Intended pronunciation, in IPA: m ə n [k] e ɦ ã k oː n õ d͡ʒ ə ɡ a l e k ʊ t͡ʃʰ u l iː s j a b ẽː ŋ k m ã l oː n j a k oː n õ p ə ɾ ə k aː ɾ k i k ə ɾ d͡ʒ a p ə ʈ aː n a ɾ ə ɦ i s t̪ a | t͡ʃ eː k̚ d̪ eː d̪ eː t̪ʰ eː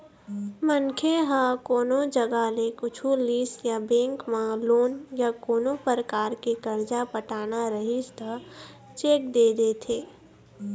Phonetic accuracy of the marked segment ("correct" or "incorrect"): incorrect